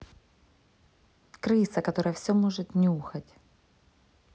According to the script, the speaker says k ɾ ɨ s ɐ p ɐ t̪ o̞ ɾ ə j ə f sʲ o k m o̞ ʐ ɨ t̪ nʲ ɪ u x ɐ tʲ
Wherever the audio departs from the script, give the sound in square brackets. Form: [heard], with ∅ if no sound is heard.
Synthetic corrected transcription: k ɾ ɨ s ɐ [k] ɐ t̪ o̞ ɾ ə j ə f sʲ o [∅] m o̞ ʐ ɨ t̪ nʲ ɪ u x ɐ tʲ